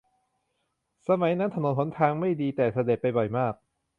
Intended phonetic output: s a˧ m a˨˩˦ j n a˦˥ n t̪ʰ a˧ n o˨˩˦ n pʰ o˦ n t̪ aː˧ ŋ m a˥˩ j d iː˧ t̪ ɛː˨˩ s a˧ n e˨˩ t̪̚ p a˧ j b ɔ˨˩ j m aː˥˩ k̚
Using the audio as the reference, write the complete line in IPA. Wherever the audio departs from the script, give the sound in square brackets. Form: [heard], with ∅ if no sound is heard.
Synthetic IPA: s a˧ m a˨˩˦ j n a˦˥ n t̪ʰ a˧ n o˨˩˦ n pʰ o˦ n [t̪ʰ] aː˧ ŋ m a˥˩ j d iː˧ t̪ ɛː˨˩ s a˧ [d] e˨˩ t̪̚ p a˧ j b ɔ˨˩ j m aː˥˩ k̚